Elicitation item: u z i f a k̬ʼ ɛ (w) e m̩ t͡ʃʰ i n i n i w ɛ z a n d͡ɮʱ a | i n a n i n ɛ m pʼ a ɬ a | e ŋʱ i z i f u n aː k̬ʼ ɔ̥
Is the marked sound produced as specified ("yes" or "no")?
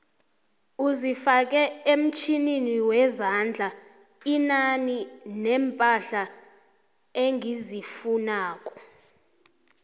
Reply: no